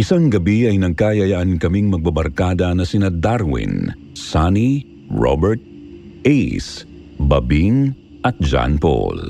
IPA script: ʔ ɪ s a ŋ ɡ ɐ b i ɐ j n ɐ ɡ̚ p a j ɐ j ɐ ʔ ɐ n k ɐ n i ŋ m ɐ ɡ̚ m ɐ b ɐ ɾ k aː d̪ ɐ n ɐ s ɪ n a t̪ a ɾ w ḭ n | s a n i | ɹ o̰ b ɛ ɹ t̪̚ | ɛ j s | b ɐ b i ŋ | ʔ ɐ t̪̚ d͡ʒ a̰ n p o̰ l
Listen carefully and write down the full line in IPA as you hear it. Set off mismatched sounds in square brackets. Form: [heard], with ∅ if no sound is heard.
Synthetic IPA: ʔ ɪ s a ŋ ɡ ɐ b i ɐ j n ɐ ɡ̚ [k] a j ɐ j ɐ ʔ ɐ n k ɐ [m] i ŋ m ɐ ɡ̚ [b] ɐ b ɐ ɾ k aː d̪ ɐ n ɐ s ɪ n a [d̪] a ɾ w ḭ n | s a n i | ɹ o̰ b ɛ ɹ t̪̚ | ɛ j s | b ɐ b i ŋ | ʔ ɐ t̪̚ d͡ʒ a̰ n p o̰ l